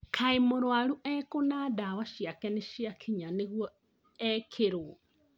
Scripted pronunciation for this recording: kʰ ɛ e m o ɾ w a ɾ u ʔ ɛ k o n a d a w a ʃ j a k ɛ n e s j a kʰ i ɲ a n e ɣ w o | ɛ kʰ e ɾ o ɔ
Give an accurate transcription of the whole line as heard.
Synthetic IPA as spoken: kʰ a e m o ɾ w a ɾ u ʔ ɛ k o n a d a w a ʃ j a k ɛ n e ʃ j a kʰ i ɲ a n e ɣ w ɔ | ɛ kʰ e ɾ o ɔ